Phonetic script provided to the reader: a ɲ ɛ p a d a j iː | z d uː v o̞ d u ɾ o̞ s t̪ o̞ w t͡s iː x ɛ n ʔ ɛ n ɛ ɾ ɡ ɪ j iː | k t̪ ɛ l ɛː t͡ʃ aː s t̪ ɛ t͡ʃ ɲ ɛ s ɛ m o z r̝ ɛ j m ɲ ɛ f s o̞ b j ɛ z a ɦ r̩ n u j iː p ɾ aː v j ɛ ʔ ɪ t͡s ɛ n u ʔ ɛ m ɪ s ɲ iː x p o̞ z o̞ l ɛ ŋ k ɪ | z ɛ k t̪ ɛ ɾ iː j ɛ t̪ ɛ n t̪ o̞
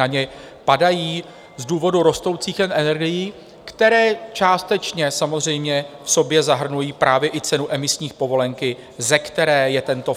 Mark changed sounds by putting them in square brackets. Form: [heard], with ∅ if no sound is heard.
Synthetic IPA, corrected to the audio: a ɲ ɛ p a d a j iː | z d uː v o̞ d u ɾ o̞ s t̪ o̞ w t͡s iː x ɛ n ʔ ɛ n ɛ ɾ ɡ ɪ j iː | k t̪ ɛ [ɾ] ɛː t͡ʃ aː s t̪ ɛ t͡ʃ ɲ ɛ s [a] m o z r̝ ɛ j m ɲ ɛ f s o̞ b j ɛ z a ɦ r̩ n u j iː p ɾ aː v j ɛ ʔ ɪ t͡s ɛ n u ʔ ɛ m ɪ s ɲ iː x p o̞ [v] o̞ l ɛ ŋ k ɪ | z ɛ k t̪ ɛ ɾ [ɛː] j ɛ t̪ ɛ n t̪ o̞